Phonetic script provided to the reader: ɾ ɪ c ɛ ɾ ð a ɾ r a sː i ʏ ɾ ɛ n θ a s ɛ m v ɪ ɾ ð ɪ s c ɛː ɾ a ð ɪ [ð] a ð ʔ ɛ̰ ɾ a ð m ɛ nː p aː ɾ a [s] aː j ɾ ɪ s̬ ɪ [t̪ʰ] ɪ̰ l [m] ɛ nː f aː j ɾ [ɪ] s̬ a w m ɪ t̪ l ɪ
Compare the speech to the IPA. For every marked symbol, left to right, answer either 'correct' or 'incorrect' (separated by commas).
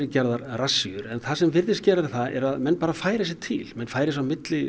incorrect, incorrect, correct, correct, correct